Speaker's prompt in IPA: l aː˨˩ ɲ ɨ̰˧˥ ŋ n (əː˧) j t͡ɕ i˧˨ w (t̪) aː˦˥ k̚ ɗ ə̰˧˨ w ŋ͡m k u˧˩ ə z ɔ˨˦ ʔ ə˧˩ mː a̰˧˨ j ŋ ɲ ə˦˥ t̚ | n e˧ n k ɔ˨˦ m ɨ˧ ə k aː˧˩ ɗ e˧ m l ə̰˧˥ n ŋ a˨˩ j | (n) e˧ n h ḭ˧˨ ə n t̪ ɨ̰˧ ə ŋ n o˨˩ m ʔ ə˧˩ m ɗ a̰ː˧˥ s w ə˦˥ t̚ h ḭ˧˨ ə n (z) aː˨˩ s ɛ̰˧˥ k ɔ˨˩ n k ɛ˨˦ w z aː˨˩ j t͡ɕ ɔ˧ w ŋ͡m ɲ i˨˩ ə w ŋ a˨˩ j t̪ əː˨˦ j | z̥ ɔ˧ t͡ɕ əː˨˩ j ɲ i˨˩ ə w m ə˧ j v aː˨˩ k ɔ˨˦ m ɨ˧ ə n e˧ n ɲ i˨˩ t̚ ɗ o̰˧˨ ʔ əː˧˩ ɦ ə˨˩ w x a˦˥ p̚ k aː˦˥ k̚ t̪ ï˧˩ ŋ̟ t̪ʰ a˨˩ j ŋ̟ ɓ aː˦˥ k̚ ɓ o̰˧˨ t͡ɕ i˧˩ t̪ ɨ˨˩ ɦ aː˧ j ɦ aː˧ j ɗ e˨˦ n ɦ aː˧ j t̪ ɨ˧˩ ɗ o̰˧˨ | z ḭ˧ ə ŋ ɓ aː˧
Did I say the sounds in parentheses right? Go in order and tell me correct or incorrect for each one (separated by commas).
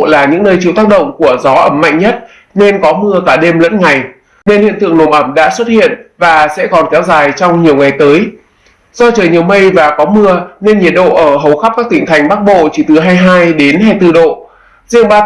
correct, correct, correct, incorrect